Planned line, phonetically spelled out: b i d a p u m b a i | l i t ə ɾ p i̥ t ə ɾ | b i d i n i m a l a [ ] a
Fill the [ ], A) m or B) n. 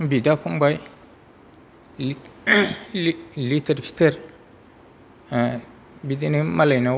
B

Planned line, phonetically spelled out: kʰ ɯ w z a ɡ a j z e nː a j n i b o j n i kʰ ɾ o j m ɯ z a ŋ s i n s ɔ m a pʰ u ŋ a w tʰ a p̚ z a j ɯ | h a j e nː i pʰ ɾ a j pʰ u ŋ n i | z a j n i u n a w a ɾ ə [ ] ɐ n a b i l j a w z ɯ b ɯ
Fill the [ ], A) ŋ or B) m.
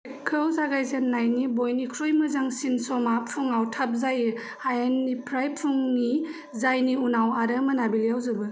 B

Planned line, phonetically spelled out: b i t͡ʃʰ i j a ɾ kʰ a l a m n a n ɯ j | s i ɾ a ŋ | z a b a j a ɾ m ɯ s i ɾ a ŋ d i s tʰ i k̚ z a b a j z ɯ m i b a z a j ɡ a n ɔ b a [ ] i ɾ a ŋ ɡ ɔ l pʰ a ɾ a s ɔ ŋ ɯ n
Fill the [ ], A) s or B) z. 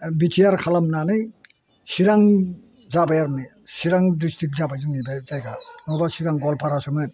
A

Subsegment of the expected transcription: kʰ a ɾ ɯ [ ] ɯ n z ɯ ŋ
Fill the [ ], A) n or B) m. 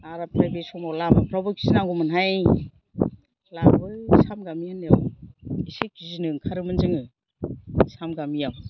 B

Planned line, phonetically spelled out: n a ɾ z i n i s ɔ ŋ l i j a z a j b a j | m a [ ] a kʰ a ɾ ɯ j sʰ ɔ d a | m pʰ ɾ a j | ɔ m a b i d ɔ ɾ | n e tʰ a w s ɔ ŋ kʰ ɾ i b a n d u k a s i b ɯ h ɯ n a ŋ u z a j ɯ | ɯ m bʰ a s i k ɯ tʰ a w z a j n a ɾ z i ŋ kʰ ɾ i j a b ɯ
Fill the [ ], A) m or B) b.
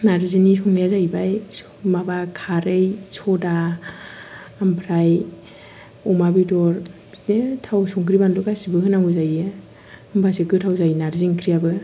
B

